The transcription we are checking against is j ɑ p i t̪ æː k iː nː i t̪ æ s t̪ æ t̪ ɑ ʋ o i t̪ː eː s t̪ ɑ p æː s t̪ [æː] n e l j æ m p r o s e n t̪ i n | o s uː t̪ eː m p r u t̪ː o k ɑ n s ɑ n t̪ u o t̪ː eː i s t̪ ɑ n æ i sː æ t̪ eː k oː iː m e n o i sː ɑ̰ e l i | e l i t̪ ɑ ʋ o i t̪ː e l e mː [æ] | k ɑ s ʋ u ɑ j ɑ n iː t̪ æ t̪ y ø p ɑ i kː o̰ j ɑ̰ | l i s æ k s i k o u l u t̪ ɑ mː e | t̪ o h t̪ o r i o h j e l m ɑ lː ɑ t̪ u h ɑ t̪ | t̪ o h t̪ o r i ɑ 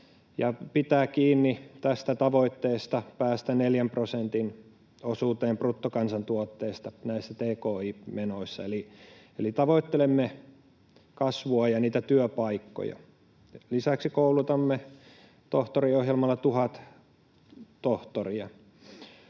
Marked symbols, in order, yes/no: no, no

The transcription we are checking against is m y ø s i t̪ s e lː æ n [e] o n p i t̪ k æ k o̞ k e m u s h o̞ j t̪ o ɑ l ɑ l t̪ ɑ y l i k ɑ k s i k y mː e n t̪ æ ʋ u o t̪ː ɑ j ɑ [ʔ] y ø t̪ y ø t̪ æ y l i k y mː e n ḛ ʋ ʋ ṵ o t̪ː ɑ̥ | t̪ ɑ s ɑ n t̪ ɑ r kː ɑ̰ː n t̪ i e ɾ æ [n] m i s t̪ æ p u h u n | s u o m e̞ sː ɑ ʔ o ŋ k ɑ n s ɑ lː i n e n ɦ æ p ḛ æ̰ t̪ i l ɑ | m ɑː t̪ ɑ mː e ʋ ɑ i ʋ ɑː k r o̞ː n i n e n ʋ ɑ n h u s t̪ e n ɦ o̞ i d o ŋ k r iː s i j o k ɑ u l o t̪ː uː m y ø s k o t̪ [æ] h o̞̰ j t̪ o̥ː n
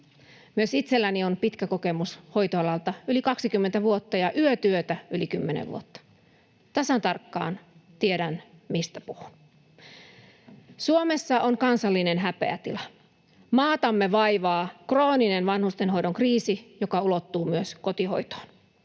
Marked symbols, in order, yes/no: no, yes, yes, no

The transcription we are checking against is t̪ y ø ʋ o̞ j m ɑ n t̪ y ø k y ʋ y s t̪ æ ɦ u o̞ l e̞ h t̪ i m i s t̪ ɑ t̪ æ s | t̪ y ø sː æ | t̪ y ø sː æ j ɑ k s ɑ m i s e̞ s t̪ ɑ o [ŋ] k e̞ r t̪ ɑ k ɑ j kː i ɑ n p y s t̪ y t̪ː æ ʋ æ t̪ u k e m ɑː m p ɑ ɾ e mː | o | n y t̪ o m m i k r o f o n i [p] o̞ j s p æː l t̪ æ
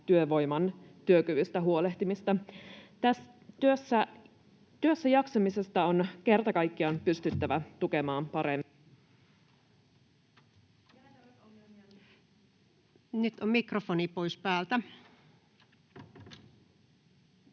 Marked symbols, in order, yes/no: no, yes

